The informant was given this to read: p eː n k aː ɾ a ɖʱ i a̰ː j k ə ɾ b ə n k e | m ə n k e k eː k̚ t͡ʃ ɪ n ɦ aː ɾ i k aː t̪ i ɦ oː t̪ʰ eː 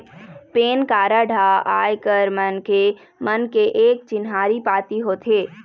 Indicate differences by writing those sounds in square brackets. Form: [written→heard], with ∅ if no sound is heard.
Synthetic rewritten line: p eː n k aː ɾ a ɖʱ [i→a] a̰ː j k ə ɾ [b→m] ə n k e | m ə n k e [k→ʔ] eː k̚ t͡ʃ ɪ n ɦ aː ɾ i [k→p] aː t̪ i ɦ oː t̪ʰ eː